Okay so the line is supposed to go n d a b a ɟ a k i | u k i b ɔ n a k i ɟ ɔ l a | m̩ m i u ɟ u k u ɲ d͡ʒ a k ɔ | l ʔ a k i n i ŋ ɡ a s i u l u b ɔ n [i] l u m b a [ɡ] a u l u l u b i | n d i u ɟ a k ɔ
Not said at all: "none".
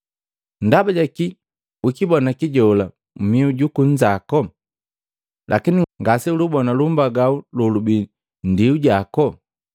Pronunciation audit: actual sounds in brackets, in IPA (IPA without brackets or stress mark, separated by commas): a, ɡ